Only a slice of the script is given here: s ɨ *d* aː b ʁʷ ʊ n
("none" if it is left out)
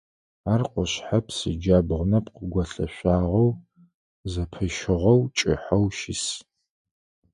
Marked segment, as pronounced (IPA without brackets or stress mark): d͡ʒ